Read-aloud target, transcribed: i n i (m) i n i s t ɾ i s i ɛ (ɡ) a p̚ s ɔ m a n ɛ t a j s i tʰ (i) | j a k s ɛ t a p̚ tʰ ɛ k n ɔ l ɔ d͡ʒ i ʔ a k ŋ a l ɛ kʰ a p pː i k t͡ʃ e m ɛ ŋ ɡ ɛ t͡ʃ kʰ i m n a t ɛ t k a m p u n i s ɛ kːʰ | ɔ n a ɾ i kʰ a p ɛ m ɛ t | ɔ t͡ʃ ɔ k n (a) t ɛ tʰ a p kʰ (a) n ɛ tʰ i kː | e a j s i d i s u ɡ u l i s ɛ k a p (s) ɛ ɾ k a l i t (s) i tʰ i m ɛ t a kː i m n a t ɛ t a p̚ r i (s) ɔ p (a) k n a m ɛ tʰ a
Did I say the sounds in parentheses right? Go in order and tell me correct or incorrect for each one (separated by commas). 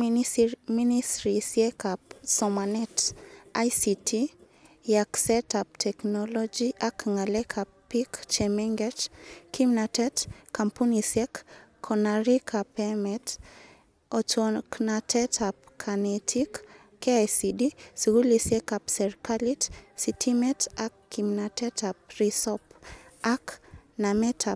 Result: correct, incorrect, correct, correct, correct, correct, correct, correct, correct